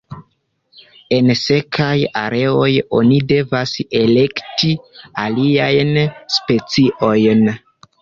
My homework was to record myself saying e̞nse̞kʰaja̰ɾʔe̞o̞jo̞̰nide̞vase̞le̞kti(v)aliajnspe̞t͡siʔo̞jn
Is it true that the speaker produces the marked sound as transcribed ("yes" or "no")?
no